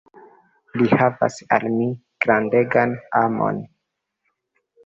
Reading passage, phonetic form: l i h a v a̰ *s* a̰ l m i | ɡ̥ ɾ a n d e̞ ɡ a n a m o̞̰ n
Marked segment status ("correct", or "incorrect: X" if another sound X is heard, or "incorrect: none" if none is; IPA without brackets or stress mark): correct